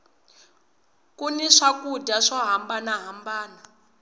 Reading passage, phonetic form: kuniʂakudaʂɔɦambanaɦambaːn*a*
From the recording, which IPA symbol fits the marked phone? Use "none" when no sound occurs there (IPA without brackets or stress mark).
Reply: a